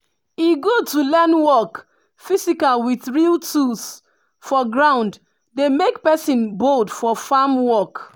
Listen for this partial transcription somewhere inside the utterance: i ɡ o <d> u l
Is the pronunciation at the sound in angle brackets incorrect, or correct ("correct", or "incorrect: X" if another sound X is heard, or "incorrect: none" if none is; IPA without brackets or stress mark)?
incorrect: t